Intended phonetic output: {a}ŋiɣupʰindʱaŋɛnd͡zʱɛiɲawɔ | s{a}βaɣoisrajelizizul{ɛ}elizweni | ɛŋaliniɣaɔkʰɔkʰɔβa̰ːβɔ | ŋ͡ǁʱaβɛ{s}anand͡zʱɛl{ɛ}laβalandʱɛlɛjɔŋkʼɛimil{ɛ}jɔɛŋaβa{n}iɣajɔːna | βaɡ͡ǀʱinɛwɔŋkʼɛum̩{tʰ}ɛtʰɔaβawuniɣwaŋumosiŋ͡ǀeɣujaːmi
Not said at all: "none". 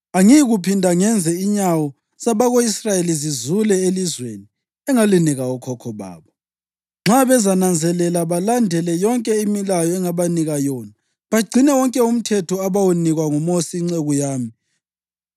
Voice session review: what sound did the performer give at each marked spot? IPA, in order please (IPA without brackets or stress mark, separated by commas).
a, a, ɛ, z, ɛ, a, n, tʰ